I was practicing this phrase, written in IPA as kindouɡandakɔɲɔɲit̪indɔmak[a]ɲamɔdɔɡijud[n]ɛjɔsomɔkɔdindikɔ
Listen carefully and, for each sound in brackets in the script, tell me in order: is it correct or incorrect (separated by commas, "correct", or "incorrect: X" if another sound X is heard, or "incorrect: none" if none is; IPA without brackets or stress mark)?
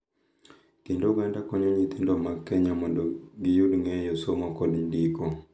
incorrect: ɛ, incorrect: ŋ